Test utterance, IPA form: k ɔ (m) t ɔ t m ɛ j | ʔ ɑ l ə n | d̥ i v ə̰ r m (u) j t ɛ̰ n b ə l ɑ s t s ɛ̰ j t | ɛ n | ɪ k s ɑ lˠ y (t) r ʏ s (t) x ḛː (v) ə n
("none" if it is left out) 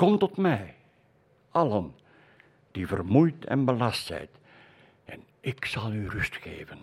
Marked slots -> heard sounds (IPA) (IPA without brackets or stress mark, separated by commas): m, u, none, t, v